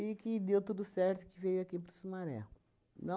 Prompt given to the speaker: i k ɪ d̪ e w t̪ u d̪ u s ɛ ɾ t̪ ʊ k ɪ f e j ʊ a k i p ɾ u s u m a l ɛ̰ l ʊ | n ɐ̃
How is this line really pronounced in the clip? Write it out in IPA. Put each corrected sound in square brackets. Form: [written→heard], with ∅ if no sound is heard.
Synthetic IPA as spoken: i k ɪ d̪ e w t̪ u d̪ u s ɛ ɾ t̪ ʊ k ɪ [f→v] e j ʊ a k i p ɾ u s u m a [l→ɾ] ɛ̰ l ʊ | n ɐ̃